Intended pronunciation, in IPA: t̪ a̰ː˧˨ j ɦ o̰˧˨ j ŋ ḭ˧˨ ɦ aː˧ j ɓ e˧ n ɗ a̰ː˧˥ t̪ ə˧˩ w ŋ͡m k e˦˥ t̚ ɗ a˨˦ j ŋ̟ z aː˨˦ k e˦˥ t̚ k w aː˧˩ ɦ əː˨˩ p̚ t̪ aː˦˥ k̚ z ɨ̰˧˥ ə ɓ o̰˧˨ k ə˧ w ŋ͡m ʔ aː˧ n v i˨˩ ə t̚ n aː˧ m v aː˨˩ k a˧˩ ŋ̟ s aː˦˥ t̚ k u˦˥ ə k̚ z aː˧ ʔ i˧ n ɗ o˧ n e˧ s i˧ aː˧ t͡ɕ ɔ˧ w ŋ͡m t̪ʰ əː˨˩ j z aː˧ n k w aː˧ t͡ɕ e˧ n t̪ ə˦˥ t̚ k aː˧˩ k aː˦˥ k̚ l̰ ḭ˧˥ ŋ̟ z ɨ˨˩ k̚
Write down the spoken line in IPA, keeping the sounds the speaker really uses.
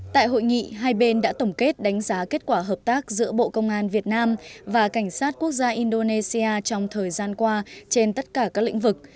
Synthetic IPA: t̪ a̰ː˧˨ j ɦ o̰˧˨ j ŋ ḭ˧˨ ɦ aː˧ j ɓ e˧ n ɗ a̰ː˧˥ t̪ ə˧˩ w ŋ͡m k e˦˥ t̚ ɗ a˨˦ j ŋ̟ z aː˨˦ k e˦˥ t̚ k w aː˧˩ ɦ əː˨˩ p̚ t̪ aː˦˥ k̚ z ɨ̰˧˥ ə ɓ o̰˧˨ k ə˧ w ŋ͡m ʔ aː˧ n v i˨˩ ə t̚ n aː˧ m v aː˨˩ k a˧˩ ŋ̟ s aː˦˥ t̚ k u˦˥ ə k̚ z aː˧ ʔ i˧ n ɗ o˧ n e˧ s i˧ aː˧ t͡ɕ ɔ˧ w ŋ͡m t̪ʰ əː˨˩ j z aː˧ n k w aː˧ t͡ɕ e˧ n t̪ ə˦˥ t̚ k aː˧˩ k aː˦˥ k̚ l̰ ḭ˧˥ ŋ̟ v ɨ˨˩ k̚